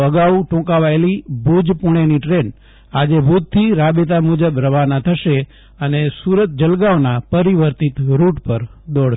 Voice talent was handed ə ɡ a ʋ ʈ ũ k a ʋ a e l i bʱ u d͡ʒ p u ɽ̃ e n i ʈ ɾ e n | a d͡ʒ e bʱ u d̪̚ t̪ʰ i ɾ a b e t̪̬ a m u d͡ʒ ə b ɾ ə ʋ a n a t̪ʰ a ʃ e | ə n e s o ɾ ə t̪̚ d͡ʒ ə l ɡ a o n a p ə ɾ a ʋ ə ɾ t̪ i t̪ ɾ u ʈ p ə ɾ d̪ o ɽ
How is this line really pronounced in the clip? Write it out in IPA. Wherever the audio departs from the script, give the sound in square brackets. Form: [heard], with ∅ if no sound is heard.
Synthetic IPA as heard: ə ɡ a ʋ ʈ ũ k a ʋ a e l i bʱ u d͡ʒ p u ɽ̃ e n i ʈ ɾ e n | a d͡ʒ e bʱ u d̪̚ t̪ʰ i ɾ a b e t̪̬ a m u d͡ʒ ə b ɾ ə ʋ a n a t̪ʰ [ə] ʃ e | ə n e s [u] ɾ ə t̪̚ d͡ʒ ə l ɡ a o n a p ə ɾ [i] ʋ ə ɾ t̪ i t̪ ɾ u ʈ p ə ɾ d̪ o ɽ